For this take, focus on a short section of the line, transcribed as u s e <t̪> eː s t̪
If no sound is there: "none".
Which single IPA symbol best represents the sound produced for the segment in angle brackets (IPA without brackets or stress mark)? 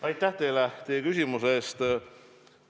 none